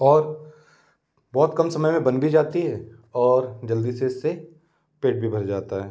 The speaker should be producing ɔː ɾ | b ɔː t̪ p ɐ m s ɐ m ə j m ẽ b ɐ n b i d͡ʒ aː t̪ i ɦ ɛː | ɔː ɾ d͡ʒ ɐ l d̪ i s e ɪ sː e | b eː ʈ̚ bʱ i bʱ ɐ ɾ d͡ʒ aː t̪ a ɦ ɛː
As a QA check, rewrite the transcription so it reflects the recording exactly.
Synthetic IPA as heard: ɔː ɾ | b ɔː t̪ k ɐ m s ɐ m ə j m ẽ b ɐ n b i d͡ʒ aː t̪ i ɦ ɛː | ɔː ɾ d͡ʒ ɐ l d̪ i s e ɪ sː e | p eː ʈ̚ bʱ i bʱ ɐ ɾ d͡ʒ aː t̪ a ɦ ɛː